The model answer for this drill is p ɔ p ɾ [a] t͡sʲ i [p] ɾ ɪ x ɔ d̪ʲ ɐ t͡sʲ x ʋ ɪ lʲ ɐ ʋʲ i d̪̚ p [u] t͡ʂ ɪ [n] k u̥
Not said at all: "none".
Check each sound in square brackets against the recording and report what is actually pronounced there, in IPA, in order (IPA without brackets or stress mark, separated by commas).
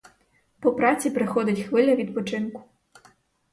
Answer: a, p, ɔ, n